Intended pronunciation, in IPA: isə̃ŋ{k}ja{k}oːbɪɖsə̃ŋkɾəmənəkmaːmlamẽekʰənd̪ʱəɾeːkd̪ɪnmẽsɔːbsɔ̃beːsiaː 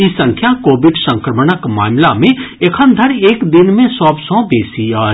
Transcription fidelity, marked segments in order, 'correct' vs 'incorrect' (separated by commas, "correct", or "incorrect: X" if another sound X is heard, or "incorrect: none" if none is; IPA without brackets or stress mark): incorrect: kʰ, correct